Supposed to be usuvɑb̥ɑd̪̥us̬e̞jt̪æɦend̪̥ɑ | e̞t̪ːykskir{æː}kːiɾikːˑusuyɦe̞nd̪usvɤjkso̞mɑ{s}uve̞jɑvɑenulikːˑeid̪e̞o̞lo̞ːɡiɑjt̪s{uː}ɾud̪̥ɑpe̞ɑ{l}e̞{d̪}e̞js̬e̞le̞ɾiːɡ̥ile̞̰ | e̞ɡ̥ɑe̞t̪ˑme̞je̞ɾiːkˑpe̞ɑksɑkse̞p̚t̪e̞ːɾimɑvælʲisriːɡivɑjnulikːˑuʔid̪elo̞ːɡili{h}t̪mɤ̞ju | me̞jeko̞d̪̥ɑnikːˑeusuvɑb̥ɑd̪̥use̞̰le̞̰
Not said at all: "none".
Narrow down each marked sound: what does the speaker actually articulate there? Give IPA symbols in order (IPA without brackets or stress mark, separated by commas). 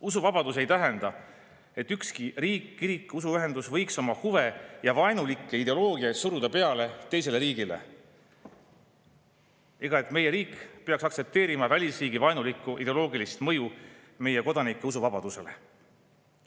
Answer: iː, h, u, l, t̪, s